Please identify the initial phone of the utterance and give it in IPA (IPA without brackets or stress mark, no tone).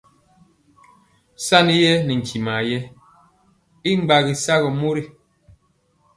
s